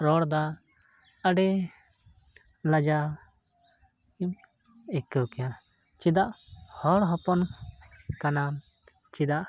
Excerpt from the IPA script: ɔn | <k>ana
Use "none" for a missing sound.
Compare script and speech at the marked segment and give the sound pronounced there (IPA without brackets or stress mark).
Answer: k